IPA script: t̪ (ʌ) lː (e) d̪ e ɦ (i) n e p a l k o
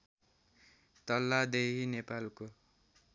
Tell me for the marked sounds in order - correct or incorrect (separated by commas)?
correct, incorrect, correct